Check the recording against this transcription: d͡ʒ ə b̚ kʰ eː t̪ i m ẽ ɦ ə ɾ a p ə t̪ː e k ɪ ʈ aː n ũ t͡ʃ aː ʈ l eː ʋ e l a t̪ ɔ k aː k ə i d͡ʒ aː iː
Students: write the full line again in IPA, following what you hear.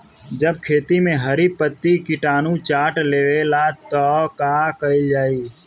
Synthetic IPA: d͡ʒ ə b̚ kʰ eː t̪ i m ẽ ɦ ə ɾ i p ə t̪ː i k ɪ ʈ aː n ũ t͡ʃ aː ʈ l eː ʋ e l a t̪ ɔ k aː k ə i d͡ʒ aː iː

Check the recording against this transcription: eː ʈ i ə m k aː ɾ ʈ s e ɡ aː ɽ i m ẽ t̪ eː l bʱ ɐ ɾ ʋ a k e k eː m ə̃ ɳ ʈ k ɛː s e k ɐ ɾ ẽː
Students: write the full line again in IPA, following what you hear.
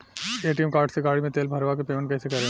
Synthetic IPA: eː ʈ i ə m k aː ɾ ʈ s e ɡ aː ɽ i m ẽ t̪ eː l bʱ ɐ ɾ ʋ a k e p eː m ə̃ ɳ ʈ k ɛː s e k ɐ ɾ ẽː

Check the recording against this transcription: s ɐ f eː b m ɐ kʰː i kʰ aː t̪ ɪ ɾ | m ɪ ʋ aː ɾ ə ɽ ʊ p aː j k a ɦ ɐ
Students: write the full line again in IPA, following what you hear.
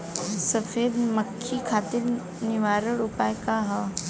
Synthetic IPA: s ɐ f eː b m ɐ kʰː i kʰ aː t̪ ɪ ɾ | n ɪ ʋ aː ɾ ə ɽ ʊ p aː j k a ɦ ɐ

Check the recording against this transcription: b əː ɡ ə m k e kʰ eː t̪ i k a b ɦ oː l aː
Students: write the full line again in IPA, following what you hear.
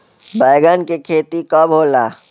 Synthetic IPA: b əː ɡ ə n k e kʰ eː t̪ i k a b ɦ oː l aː

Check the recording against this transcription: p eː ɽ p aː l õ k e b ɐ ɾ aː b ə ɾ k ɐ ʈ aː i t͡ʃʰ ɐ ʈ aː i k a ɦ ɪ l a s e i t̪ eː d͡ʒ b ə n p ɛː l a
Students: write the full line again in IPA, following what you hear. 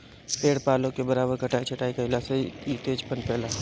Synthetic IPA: p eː ɽ p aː l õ k e b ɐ ɾ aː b ə ɾ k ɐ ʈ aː i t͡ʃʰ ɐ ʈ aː i k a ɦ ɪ l a s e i t̪ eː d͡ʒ p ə n p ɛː l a

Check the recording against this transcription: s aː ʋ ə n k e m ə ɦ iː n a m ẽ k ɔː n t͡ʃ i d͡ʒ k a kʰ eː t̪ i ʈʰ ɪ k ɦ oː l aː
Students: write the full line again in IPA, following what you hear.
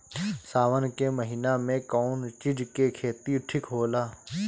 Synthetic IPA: s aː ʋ ə n k e m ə ɦ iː n a m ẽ k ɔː n t͡ʃ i d͡ʒ k e kʰ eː t̪ i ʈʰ ɪ k ɦ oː l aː

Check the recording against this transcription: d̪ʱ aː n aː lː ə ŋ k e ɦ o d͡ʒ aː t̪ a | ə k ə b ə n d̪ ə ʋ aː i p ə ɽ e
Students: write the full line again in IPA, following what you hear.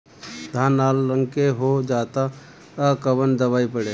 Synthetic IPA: d̪ʱ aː n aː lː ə ŋ k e ɦ o d͡ʒ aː t̪ a | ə k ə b ə n d̪ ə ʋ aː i p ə ɽ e

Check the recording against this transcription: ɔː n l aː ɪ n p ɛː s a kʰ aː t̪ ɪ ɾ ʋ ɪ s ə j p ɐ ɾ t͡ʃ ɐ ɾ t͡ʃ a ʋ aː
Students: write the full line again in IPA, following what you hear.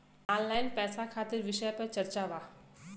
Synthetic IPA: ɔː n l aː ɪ n p ɛː s a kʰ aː t̪ ɪ ɾ ʋ ɪ ʃ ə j p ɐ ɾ t͡ʃ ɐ ɾ t͡ʃ a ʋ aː

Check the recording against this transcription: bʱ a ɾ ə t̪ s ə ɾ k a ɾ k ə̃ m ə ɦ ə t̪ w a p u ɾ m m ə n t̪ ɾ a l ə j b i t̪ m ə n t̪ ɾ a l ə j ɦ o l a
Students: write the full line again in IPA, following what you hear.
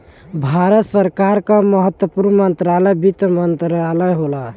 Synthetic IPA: bʱ a ɾ ə t̪ s ə ɾ k a ɾ k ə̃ m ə ɦ ə t̪ w ə p u ɾ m m ə n t̪ ɾ a l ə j b i t̪ m ə n t̪ ɾ a l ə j ɦ o l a

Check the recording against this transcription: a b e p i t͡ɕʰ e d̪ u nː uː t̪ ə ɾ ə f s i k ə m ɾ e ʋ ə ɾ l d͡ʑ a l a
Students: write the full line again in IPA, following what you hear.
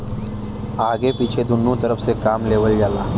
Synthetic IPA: a ɡ e p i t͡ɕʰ e d̪ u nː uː t̪ ə ɾ ə f s e k a m l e ʋ ə l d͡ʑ a l a

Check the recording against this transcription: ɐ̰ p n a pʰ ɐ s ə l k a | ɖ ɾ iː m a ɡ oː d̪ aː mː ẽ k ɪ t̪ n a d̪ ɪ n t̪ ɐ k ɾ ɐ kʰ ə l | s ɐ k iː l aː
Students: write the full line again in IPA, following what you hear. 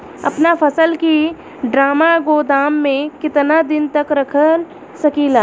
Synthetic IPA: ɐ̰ p n a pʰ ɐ s ə l k i | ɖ ɾ aː m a ɡ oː d̪ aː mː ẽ k ɪ t̪ n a d̪ ɪ n t̪ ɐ k ɾ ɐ kʰ ə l | s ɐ k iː l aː

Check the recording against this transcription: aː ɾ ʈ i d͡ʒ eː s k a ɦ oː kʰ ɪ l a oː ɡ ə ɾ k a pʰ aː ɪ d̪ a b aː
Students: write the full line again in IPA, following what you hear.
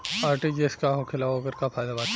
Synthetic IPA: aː ɾ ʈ i d͡ʒ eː s k a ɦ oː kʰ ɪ l a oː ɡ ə ɾ k a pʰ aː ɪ d̪ a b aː

